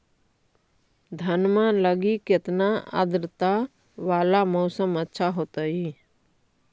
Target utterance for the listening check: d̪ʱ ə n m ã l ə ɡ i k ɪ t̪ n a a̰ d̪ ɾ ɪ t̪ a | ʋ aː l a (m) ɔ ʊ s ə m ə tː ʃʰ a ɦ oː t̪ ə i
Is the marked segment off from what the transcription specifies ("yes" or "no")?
no